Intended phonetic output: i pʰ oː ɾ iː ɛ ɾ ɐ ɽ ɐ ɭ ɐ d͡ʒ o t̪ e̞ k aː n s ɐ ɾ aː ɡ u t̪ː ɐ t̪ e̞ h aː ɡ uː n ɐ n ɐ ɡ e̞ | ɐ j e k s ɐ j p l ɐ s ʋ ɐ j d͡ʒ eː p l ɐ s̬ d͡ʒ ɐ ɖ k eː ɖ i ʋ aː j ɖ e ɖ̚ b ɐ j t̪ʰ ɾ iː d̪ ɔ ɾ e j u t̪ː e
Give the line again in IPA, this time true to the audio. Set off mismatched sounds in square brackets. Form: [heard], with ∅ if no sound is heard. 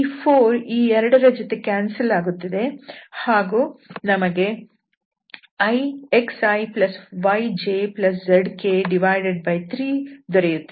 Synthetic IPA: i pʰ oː ɾ iː ɛ ɾ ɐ ɽ ɐ [ɾ] ɐ d͡ʒ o t̪ e̞ k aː n s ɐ [l] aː ɡ u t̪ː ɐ [d̪] e̞ h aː ɡ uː n ɐ [m] ɐ ɡ e̞ | ɐ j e k s ɐ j p l ɐ s ʋ ɐ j d͡ʒ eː p l ɐ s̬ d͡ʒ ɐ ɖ k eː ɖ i ʋ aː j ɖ e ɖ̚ b ɐ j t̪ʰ ɾ iː d̪ ɔ ɾ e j u t̪ː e